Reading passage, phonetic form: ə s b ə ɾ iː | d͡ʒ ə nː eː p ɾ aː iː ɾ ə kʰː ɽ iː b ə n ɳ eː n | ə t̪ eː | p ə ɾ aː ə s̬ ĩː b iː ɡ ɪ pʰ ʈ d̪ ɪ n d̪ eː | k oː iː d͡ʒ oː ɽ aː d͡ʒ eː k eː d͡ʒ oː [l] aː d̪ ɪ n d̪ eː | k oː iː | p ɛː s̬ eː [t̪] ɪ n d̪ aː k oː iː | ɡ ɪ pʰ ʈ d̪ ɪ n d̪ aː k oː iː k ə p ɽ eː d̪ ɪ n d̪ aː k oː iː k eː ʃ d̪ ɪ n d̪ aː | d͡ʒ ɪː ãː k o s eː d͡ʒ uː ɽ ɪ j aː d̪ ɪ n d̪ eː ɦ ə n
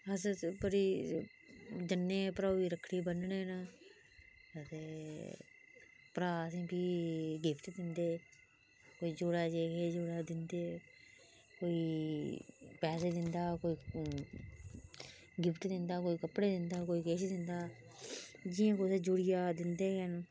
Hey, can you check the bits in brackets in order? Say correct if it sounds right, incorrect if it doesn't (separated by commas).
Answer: incorrect, incorrect